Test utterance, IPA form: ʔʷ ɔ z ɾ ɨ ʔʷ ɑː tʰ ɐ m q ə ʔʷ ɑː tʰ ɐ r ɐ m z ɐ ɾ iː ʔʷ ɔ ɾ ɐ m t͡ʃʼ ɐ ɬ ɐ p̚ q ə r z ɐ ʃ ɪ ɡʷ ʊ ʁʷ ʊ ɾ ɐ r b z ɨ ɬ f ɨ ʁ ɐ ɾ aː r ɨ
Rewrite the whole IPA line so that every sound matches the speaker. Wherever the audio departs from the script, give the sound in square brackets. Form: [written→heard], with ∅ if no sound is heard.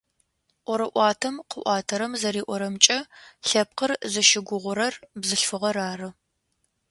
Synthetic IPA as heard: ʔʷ ɔ [z→∅] ɾ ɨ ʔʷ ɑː tʰ ɐ m q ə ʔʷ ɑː tʰ ɐ [r→ɾ] ɐ m z ɐ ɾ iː ʔʷ ɔ ɾ ɐ m t͡ʃʼ ɐ ɬ ɐ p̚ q ə r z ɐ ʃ ɪ ɡʷ ʊ ʁʷ ʊ ɾ ɐ r b z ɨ ɬ f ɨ ʁ ɐ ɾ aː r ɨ